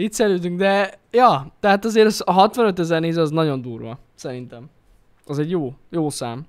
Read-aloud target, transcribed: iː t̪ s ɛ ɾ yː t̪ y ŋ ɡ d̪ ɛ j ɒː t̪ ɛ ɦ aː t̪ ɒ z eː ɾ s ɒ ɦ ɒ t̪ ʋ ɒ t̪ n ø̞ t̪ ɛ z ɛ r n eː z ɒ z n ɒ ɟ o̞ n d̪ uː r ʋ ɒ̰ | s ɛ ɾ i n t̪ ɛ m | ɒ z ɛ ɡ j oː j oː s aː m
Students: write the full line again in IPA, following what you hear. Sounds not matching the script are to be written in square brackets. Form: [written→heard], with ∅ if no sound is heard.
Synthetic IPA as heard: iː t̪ s ɛ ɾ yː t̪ y ŋ ɡ d̪ ɛ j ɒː t̪ ɛ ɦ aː t̪ ɒ z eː ɾ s ɒ ɦ ɒ t̪ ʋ ɒ [t̪→∅] n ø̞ t̪ ɛ z ɛ r n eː z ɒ z n ɒ ɟ o̞ n d̪ uː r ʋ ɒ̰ | s ɛ ɾ i n t̪ ɛ m | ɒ z ɛ [ɡ→ɟ] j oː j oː s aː m